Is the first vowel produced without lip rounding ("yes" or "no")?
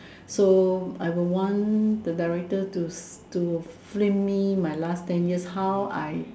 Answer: no